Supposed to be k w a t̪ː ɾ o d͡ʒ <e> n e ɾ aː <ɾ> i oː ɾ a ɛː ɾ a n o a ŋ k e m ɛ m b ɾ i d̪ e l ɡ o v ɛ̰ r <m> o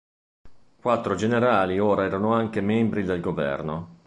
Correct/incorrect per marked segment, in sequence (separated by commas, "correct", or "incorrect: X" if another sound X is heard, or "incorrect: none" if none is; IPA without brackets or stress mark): correct, incorrect: l, incorrect: n